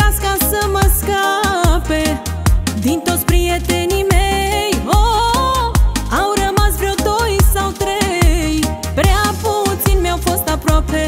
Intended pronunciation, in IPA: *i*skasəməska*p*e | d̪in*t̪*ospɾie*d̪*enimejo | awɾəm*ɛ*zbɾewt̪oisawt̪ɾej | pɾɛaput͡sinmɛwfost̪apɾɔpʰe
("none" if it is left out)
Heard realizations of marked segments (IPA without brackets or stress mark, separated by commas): a, p, t̪, t̪, a